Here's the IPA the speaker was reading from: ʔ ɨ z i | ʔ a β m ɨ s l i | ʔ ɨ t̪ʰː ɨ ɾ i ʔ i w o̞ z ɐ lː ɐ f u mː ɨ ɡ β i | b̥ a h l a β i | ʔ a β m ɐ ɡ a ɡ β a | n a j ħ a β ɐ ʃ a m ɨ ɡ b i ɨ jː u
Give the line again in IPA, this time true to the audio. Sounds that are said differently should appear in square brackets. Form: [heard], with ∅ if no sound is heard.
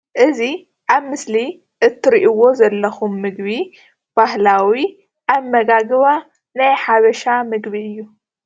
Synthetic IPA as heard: ʔ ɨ z i | ʔ a β m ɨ s l i | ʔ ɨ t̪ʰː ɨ ɾ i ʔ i w o̞ z ɐ lː ɐ [x] u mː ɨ ɡ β i | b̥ a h l a [w] i | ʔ a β m ɐ ɡ a ɡ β a | n a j ħ a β ɐ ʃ a m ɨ ɡ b i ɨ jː u